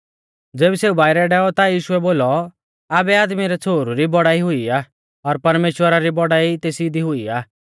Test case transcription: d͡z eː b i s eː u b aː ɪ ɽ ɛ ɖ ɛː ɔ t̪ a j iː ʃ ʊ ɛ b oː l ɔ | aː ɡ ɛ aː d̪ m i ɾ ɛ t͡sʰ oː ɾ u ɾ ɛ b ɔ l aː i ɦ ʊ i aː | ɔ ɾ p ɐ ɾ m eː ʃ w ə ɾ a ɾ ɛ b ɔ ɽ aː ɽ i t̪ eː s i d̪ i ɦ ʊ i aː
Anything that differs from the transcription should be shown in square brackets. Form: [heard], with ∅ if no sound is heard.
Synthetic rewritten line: d͡z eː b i s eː u b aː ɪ [ɾ] ɛ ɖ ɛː ɔ t̪ a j iː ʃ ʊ ɛ b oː l ɔ | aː [b] ɛ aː d̪ m i ɾ ɛ t͡sʰ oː ɾ u ɾ [i] b ɔ [ɽ] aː i ɦ ʊ i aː | ɔ ɾ p ɐ ɾ m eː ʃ w ə ɾ a ɾ [i] b ɔ ɽ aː [∅] i t̪ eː s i d̪ i ɦ ʊ i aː